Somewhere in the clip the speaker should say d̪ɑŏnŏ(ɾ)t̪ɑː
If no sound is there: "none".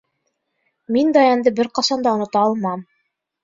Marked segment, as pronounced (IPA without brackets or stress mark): none